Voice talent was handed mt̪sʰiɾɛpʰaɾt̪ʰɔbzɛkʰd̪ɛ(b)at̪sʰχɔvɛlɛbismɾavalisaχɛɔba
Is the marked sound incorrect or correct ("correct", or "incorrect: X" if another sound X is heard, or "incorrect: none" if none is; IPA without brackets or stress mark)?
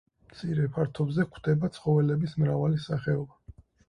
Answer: correct